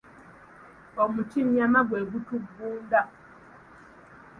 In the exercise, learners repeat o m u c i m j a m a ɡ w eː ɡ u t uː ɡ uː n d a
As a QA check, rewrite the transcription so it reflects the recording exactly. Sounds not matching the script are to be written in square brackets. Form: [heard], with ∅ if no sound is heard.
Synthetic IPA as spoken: o m u [t] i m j a m a ɡ w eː ɡ u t [u] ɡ uː n d a